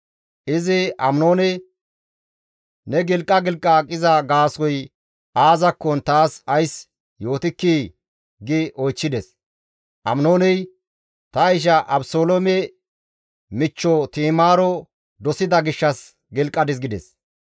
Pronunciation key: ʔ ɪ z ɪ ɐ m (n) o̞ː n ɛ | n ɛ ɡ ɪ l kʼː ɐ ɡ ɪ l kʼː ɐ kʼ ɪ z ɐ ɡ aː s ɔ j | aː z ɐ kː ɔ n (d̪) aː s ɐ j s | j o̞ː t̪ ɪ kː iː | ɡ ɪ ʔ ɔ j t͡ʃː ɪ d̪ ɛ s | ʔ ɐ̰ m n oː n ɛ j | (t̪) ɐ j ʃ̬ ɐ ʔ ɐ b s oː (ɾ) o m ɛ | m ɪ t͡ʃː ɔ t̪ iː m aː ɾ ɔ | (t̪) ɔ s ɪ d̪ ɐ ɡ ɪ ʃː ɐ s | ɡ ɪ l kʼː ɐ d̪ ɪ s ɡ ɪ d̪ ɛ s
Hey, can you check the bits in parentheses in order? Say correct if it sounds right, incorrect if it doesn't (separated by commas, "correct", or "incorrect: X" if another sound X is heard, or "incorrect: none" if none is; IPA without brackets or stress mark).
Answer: correct, incorrect: t̪, correct, incorrect: l, incorrect: d̪